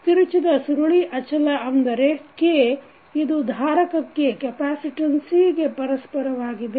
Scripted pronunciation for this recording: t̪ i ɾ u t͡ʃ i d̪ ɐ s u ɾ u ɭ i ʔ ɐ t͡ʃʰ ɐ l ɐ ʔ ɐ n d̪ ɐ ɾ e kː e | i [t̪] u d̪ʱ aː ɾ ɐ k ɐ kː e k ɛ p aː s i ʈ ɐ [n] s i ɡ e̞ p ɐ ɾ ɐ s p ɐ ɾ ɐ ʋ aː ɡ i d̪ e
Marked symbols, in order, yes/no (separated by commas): no, yes